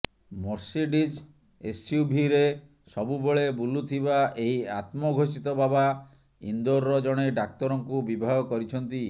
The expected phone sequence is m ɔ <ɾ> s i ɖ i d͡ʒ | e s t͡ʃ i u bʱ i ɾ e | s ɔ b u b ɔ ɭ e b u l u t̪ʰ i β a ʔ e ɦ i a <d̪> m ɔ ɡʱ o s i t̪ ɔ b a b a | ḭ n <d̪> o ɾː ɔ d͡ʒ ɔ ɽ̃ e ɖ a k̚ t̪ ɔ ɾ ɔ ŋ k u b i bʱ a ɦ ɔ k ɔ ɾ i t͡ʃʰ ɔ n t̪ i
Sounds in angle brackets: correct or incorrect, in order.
correct, incorrect: t̪, correct

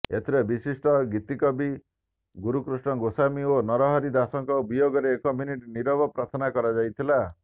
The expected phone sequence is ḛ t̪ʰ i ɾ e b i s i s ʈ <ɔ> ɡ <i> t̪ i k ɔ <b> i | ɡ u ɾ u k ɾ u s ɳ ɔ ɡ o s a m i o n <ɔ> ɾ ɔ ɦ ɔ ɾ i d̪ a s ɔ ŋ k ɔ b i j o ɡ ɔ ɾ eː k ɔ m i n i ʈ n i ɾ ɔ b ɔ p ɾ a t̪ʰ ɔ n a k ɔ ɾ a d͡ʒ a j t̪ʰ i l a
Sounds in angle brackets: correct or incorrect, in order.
correct, correct, correct, correct

